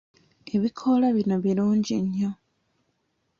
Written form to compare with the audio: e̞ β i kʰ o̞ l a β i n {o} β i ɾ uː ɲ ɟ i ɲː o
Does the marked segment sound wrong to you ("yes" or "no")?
no